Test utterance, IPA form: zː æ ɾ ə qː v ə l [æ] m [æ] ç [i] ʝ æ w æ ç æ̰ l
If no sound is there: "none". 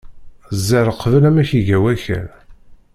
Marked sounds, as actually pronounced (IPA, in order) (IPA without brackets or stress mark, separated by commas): æ, æ, i